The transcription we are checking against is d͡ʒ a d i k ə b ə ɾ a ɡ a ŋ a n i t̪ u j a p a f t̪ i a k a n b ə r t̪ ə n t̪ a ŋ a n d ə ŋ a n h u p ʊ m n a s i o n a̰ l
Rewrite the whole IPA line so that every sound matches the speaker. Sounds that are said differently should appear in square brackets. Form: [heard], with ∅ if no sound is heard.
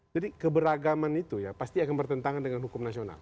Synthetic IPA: d͡ʒ a d i k ə b ə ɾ a ɡ a [m] a n i t̪ u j a p a [s] t̪ i a k a n b ə r t̪ ə n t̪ a ŋ a n d ə ŋ a n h u [k] ʊ m n a s i o n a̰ l